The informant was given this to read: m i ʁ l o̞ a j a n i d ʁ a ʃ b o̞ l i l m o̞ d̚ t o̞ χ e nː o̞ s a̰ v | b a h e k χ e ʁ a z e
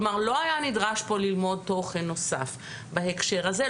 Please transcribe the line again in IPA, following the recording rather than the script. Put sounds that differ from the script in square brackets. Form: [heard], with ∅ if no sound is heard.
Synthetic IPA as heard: m [a] ʁ l o̞ a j a n i d ʁ a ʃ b o̞ l i l m o̞ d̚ t o̞ χ e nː o̞ s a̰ [f] | b a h e k [ʃ] e ʁ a z e